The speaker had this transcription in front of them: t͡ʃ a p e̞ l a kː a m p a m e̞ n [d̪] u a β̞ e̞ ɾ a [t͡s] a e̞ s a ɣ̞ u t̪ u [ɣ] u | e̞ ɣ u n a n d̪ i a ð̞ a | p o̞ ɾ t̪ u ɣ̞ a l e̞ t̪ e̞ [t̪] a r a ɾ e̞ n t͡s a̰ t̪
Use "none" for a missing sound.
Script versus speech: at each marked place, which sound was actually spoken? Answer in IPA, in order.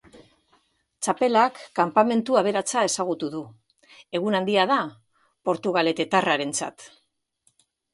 t̪, t͡s, ð, t̪

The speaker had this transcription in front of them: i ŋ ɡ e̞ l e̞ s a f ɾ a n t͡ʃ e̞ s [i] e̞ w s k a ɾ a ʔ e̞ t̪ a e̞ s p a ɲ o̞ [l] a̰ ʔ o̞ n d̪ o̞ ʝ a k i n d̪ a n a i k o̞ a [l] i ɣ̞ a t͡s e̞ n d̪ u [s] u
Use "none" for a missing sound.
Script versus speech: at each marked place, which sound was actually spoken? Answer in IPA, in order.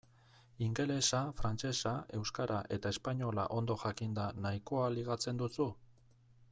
a, l, l, s

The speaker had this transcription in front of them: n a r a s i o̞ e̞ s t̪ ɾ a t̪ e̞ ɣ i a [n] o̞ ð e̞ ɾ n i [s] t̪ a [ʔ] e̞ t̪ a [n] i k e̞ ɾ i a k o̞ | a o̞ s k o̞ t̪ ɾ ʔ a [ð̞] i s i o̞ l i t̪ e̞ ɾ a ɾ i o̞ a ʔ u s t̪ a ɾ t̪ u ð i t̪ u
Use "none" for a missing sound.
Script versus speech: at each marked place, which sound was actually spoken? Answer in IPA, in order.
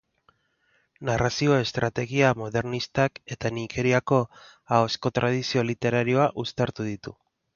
m, s, k, n, ð̞

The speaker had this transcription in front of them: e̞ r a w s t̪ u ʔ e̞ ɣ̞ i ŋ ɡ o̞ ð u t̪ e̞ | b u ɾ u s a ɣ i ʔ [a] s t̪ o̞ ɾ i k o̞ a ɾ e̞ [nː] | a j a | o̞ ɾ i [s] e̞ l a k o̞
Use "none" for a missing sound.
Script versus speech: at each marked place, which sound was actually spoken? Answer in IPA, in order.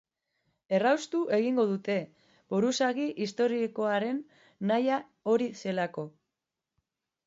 i, nː, s

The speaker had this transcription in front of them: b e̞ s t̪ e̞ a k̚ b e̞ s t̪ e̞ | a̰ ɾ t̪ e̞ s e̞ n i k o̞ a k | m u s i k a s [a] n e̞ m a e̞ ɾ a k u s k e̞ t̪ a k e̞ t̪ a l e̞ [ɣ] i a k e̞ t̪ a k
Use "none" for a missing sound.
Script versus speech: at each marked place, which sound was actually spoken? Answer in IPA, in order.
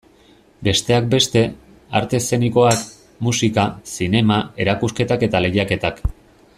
i, ɣ

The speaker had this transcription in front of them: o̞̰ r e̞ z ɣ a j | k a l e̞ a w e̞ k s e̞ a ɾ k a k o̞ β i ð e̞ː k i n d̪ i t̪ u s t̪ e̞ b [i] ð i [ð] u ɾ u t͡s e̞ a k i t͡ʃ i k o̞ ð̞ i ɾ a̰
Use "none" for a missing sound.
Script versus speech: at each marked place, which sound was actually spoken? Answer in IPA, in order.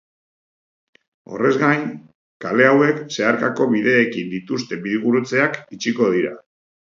i, ɣ

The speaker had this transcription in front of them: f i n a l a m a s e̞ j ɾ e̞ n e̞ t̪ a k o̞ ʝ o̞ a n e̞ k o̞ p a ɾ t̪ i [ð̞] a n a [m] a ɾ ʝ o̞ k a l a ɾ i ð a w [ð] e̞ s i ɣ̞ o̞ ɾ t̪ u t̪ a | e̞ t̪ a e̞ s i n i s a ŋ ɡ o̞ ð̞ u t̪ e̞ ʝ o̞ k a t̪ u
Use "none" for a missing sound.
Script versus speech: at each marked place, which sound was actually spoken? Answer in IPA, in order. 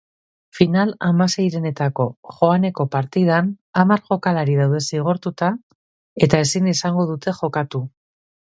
ð̞, m, ð

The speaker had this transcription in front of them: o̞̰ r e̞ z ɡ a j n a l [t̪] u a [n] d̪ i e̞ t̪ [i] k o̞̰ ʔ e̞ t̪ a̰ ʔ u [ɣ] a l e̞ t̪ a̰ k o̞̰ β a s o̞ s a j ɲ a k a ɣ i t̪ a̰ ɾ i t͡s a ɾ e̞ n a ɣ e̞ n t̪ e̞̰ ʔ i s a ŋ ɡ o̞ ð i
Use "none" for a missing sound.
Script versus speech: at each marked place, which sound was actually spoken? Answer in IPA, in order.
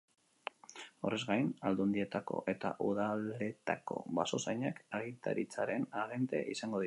d̪, n, a, ð

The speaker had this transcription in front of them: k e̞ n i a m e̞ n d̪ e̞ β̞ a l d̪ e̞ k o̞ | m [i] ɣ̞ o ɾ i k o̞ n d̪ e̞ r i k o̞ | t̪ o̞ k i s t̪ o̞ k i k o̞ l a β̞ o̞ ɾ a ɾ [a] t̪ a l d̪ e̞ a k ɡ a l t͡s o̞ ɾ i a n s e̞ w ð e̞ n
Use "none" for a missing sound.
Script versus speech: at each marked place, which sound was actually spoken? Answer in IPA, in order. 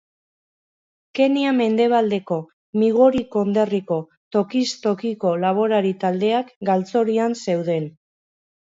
i, i

